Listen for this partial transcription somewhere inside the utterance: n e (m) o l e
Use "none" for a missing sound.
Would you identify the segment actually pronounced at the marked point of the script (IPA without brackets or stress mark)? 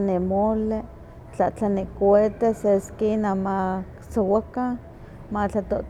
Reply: m